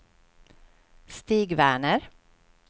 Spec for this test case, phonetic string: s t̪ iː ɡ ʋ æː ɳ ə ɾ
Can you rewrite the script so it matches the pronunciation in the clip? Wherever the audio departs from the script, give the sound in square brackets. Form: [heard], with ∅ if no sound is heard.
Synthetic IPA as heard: s t̪ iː ɡ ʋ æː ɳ ə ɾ